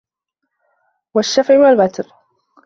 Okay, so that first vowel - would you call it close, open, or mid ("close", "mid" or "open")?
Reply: open